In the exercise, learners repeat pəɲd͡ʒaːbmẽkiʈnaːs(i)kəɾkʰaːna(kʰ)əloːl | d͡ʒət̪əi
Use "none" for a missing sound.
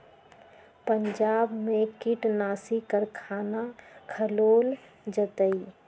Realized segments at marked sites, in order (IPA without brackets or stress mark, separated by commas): i, kʰ